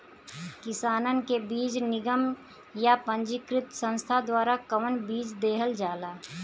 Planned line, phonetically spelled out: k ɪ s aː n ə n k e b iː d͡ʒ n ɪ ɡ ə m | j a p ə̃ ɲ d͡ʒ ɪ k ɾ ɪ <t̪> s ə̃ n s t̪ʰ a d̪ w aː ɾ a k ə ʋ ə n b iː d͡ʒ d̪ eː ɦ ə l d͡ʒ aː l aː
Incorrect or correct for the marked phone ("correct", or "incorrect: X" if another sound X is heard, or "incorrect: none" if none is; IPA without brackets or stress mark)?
correct